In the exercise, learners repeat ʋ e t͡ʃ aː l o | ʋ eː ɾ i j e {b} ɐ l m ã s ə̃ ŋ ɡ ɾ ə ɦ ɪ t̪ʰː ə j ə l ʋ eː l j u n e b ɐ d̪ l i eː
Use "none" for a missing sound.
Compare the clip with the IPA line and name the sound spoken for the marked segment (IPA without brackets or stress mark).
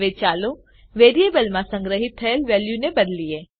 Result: b